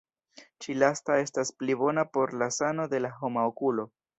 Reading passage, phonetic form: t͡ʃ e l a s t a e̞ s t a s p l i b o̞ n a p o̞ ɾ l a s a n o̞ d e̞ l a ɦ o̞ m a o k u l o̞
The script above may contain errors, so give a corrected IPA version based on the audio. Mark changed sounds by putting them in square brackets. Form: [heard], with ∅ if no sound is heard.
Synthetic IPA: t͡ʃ [i] l a s t a e̞ s t a s p l i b o̞ n a p o̞ ɾ l a s a n o̞ d e̞ l a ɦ o̞ m a o k u l o̞